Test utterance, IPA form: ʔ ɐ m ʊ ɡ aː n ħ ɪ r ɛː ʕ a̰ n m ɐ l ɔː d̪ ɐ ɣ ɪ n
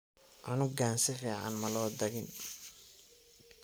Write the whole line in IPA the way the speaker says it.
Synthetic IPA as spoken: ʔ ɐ n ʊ ɡ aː n s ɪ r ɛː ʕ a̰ n m ɐ l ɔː d̪ ɐ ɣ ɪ n